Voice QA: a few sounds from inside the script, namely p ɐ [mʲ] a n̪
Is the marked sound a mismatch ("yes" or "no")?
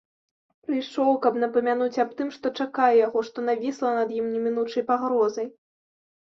no